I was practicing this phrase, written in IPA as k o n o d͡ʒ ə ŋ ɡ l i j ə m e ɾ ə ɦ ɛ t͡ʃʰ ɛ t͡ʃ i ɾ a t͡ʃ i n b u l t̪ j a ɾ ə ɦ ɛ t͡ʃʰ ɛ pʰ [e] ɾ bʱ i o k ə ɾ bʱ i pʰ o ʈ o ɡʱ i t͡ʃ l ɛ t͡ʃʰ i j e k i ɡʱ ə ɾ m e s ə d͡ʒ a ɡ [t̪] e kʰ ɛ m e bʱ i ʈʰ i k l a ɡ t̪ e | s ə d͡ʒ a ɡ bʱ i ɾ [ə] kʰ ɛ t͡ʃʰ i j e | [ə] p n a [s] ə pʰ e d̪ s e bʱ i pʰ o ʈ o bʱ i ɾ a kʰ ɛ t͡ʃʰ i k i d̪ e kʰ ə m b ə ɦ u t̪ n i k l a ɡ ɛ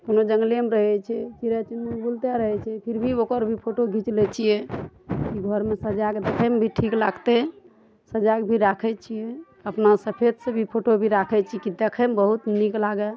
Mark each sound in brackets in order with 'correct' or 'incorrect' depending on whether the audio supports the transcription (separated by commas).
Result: incorrect, incorrect, incorrect, correct, correct